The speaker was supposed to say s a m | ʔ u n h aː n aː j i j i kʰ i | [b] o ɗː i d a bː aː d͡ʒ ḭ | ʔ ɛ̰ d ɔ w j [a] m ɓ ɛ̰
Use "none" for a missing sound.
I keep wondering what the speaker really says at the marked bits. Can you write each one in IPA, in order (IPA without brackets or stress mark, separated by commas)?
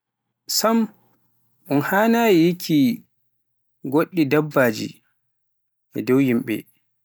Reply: ɡ, i